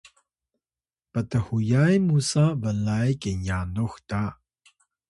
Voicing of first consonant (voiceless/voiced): voiceless